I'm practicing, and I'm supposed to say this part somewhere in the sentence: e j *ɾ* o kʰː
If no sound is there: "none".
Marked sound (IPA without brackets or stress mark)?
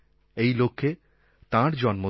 l